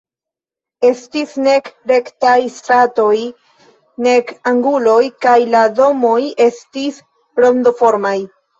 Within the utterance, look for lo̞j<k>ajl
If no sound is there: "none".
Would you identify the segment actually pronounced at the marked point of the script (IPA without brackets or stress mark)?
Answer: k